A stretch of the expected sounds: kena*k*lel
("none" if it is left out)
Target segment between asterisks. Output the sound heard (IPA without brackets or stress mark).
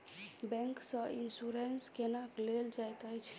k